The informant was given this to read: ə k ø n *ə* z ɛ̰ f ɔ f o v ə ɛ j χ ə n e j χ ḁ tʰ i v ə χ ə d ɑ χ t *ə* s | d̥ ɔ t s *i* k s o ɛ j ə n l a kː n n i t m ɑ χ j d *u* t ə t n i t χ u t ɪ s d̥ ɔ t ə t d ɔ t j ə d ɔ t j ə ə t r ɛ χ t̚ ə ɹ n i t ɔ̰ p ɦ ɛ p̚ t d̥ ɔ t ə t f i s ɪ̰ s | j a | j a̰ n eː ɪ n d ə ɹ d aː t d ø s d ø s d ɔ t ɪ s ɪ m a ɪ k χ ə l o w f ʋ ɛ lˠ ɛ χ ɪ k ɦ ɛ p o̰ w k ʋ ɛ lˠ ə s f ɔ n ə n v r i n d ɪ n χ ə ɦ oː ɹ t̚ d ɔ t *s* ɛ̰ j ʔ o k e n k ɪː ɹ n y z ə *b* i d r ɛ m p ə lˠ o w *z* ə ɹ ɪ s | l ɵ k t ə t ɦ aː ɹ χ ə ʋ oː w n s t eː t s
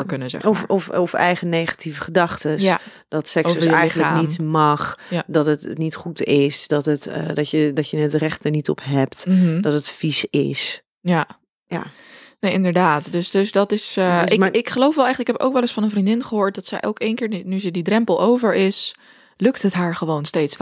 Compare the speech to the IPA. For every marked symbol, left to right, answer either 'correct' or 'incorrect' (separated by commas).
correct, correct, incorrect, incorrect, correct, incorrect, incorrect